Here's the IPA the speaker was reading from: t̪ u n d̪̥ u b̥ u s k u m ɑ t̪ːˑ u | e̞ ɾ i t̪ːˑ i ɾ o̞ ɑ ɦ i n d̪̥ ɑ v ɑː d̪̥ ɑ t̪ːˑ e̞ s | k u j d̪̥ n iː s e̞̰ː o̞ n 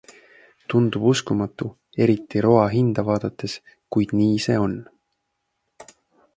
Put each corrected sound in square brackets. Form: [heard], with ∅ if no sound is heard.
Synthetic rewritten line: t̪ u n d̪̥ u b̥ u s k u m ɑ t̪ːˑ u | e̞ ɾ i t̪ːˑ i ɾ o̞ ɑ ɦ i n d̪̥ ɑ v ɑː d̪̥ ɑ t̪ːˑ e̞ s | k u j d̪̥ n iː s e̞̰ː o̞ n

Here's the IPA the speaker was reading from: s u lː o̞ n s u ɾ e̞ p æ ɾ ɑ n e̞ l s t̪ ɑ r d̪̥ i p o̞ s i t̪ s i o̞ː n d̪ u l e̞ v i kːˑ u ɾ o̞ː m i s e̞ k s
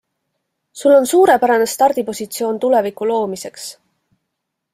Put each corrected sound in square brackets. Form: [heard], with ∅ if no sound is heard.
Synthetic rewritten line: s u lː o̞ n s [uː] ɾ e̞ p æ ɾ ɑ n e̞ [∅] s t̪ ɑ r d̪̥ i p o̞ s i t̪ s i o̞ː n [t̪] u l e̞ v i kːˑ u [l] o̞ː m i s e̞ k s

